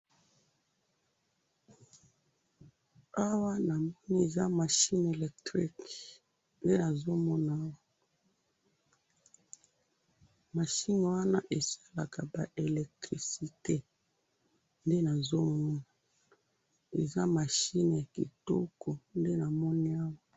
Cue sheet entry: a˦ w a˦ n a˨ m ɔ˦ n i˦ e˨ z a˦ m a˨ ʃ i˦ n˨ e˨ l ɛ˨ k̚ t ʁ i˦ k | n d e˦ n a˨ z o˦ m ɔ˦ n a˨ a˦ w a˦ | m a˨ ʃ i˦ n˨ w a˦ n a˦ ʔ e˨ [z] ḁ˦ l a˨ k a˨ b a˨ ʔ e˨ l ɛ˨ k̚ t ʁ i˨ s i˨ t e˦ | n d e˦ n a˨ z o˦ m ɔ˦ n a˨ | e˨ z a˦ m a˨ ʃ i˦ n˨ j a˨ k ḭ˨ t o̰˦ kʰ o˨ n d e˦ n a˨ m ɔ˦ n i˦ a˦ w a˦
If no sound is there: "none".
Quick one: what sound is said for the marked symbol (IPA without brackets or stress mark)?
s